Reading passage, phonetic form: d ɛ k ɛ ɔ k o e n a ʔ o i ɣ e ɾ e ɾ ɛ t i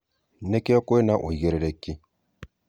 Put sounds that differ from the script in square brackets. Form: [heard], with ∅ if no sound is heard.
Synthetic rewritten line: [n] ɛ k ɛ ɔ k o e n a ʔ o i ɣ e ɾ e ɾ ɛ [k] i

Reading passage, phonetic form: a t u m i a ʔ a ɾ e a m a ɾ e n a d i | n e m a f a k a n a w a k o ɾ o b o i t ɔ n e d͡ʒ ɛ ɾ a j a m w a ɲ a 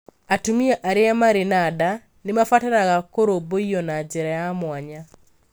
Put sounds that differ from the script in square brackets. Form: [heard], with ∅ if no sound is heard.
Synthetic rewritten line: a t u m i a ʔ a ɾ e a m a ɾ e n a d [a] | n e m a f a [t] a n a [ɣ] a k o ɾ o b o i [∅] ɔ n [a] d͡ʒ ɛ ɾ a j a m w a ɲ a

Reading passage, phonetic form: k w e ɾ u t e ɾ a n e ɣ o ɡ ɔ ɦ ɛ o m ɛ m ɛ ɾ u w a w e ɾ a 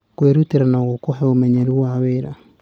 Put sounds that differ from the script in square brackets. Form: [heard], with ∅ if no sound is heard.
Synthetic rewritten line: k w e ɾ u t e ɾ a n [a] ɣ o [k] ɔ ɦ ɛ o m ɛ [ɲ] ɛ ɾ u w a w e ɾ a

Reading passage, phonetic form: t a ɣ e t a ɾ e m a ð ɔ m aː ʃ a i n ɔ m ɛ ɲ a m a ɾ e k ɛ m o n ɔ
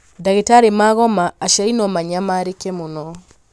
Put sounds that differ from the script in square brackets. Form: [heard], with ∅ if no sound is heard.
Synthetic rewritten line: [d] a ɣ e t a ɾ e m a [ɣ] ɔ m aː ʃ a i n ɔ m [a] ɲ a m a ɾ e k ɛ m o n ɔ

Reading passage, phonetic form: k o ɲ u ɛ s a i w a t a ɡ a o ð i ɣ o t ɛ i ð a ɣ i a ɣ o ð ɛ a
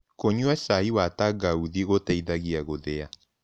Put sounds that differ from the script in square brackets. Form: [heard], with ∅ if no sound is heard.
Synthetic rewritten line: k o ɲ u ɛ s a i w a t a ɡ a [u] ð i ɣ o t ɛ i ð a ɣ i a ɣ o ð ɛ a

